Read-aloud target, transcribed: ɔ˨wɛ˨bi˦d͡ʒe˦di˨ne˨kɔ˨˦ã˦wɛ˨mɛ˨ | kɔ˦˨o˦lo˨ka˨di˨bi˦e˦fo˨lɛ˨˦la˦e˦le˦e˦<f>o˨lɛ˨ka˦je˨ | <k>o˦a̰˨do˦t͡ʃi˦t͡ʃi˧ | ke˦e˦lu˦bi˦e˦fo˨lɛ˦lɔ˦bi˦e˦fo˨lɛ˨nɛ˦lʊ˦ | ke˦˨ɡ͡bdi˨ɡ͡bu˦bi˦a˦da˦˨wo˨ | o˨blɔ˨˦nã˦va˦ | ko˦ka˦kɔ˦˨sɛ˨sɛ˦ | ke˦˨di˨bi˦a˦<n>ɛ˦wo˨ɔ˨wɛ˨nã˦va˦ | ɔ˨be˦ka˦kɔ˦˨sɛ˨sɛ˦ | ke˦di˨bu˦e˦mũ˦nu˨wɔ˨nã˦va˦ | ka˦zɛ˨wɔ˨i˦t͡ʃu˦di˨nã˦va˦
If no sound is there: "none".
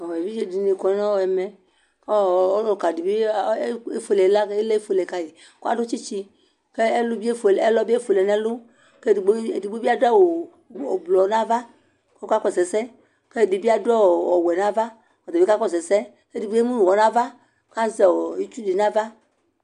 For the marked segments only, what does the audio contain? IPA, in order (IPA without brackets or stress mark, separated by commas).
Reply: f, k, d